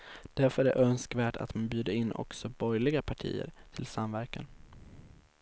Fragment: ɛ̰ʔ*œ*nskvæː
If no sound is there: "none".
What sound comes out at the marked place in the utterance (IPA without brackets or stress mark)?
œ